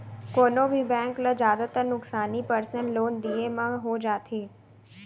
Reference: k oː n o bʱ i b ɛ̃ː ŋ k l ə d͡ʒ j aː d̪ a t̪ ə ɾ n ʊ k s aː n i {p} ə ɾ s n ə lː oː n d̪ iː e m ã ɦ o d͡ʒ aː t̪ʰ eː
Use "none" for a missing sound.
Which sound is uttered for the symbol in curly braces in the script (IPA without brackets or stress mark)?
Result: p